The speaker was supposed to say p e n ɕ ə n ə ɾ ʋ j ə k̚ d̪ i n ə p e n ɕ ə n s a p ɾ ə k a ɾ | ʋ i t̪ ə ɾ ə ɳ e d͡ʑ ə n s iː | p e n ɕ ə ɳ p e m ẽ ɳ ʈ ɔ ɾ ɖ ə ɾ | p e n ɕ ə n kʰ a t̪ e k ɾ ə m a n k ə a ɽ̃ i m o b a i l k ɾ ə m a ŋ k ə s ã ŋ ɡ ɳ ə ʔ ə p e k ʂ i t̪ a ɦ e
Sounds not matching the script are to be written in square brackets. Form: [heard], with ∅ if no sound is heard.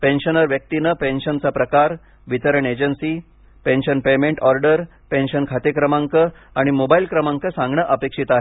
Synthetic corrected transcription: p e n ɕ ə n ə ɾ ʋ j ə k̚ [t̪] i n ə p e n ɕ ə n [t͡s] a p ɾ ə k a ɾ | ʋ i t̪ ə ɾ ə ɳ e d͡ʑ ə n s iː | p e n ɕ ə [n] p e m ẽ ɳ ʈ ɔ ɾ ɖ ə ɾ | p e n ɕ ə n kʰ a t̪ e k ɾ ə m a [ŋ] k ə a ɽ̃ i m o b a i l k ɾ ə m a ŋ k ə s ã ŋ ɡ ɳ ə ʔ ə p e k ʂ i t̪ a ɦ e